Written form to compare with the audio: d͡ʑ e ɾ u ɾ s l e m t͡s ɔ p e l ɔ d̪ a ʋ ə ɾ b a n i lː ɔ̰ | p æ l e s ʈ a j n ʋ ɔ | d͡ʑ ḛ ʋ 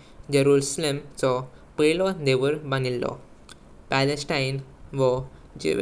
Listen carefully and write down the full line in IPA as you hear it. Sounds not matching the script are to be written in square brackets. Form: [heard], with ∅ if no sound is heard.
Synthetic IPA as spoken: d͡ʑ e ɾ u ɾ s l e m t͡s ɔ p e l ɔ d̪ [e] ʋ ə ɾ b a n i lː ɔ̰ | p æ l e s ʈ a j n ʋ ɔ | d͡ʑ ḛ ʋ